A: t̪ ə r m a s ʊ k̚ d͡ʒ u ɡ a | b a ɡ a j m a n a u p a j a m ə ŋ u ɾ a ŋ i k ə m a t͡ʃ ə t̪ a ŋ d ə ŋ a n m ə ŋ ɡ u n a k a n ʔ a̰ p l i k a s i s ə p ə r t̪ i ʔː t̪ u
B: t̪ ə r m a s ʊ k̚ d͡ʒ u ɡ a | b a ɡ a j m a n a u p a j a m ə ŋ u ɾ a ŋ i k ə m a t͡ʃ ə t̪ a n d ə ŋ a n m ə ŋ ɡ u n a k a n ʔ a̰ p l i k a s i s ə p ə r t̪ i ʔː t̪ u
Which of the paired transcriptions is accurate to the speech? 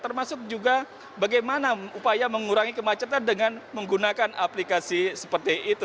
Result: B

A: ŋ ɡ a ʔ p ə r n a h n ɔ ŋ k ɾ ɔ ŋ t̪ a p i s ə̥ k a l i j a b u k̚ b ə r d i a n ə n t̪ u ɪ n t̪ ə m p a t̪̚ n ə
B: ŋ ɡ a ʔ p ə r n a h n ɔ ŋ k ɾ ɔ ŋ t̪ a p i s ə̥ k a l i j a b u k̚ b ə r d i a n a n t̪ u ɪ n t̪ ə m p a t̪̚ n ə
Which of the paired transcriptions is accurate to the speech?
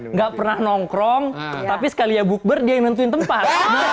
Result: A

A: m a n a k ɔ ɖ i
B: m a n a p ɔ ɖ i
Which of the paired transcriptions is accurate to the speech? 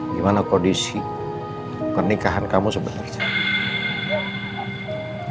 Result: A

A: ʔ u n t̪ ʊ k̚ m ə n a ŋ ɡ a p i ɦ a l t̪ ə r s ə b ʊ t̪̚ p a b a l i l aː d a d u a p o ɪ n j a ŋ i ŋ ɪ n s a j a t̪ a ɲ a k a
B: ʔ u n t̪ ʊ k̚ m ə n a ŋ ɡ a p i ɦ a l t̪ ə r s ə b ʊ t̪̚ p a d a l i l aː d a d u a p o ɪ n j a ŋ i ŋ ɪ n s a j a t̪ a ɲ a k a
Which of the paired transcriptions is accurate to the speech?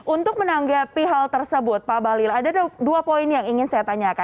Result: A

